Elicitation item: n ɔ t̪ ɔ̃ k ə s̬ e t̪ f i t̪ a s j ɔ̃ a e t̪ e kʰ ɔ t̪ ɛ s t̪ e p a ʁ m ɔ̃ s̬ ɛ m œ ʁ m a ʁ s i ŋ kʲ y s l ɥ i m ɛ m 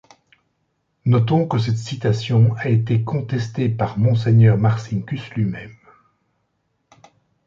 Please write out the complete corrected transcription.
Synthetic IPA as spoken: n ɔ t̪ ɔ̃ k ə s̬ ɛ t̪ s i t̪ a s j ɔ̃ a e t̪ e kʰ ɔ̃ t̪ ɛ s t̪ e p a ʁ m ɔ̃ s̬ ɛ ɲ œ ʁ m a ʁ s i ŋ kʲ y s l ɥ i m ɛ m